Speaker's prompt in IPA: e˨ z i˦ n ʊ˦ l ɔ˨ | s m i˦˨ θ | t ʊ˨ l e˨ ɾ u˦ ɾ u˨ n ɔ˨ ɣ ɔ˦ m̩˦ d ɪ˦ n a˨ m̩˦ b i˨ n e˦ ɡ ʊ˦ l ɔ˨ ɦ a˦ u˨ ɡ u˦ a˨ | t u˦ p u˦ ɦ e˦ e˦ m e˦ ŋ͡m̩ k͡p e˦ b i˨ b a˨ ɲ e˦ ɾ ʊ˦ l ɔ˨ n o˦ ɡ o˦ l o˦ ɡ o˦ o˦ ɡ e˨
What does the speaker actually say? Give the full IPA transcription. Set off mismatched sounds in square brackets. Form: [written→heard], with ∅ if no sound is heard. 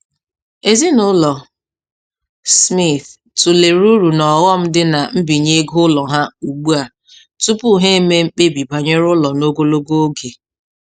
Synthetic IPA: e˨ z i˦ n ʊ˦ l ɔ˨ | s m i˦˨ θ | t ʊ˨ l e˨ ɾ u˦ ɾ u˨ n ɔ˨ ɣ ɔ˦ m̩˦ d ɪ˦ n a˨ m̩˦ b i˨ [n→ɲ] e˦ ɡ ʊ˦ l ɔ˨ ɦ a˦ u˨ [ɡ→ɡ͡b] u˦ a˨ | t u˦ p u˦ ɦ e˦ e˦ m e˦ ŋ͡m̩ k͡p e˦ b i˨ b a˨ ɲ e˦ ɾ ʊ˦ l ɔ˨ n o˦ ɡ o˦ l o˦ ɡ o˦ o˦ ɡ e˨